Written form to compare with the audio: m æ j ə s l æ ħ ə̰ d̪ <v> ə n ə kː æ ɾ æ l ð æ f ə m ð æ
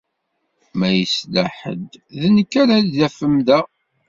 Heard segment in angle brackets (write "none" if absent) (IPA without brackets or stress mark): ð